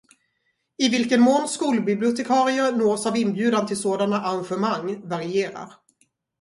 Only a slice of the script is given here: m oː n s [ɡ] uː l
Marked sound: incorrect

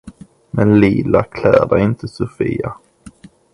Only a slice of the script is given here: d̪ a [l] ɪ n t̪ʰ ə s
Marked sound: incorrect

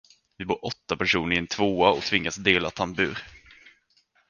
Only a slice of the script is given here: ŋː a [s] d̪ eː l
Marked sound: correct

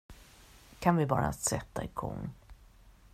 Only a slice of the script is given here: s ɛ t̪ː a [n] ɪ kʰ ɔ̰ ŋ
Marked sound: incorrect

